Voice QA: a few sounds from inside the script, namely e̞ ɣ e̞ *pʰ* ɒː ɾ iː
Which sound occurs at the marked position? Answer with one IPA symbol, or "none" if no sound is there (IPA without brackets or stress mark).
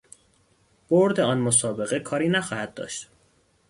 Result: kʰ